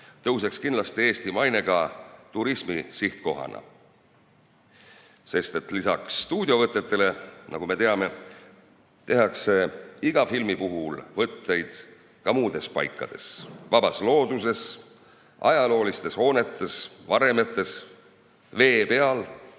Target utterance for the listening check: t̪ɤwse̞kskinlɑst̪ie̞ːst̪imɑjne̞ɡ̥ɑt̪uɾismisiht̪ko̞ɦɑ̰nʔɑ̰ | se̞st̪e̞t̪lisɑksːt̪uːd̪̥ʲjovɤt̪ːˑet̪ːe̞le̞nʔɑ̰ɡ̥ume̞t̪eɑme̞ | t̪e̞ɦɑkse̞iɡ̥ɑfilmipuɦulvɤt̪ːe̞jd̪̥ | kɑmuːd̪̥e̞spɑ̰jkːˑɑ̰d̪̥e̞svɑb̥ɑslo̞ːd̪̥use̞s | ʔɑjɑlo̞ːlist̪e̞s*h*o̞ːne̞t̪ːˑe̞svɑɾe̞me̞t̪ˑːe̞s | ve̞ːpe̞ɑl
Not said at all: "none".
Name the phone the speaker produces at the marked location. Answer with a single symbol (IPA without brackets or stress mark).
h